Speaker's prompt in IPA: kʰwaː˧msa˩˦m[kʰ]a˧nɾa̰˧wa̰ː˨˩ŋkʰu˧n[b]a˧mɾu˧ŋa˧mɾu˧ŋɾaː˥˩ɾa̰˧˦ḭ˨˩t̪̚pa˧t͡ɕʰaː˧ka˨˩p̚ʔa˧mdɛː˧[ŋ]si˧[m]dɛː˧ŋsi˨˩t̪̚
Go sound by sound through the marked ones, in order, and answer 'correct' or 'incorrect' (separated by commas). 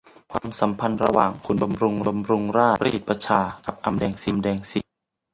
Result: incorrect, correct, correct, correct